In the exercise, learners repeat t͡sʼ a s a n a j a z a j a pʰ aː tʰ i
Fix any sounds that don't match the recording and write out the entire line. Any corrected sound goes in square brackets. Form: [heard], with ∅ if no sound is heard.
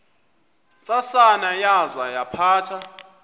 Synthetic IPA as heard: t͡sʼ a s a n a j a z a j a pʰ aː tʰ [a]